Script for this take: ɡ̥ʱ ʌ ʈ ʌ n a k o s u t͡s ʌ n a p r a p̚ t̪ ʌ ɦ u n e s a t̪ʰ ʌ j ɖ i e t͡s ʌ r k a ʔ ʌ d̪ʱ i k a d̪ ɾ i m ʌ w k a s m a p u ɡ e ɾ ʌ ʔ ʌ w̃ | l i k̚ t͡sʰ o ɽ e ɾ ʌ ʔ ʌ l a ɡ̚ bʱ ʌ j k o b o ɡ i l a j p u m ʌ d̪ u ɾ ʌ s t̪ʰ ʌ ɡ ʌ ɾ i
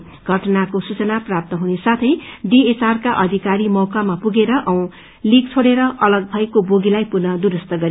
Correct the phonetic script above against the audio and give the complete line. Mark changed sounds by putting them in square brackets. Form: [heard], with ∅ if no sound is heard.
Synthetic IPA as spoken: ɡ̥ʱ ʌ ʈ ʌ n a k o s u t͡s ʌ n a p r a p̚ t̪ ʌ ɦ u n e s a t̪ʰ ʌ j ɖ i e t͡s [a] r k a ʔ ʌ d̪ʱ i k a [∅] ɾ i m ʌ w k a [∅] m a p u ɡ e ɾ ʌ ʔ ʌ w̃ | l i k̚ t͡sʰ o ɽ e ɾ ʌ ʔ ʌ l [ʌ] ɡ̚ bʱ ʌ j k o b o ɡ i l a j p u [n] ʌ d̪ u ɾ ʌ s [t̪] ʌ ɡ ʌ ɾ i